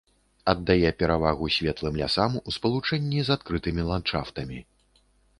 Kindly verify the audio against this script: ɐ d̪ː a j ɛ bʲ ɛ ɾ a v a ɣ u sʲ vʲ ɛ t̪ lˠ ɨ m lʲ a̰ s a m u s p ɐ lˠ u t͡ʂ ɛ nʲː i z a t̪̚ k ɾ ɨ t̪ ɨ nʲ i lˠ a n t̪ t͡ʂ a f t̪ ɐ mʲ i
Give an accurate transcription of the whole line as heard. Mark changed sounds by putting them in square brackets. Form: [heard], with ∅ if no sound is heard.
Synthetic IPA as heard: ɐ d̪ː a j ɛ [pʲ] ɛ ɾ a v a ɣ u sʲ vʲ ɛ t̪ lˠ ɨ m lʲ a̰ s a m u s p ɐ lˠ u t͡ʂ ɛ nʲː i z a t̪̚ k ɾ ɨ t̪ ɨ [mʲ] i lˠ a n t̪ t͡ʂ a f t̪ ɐ mʲ i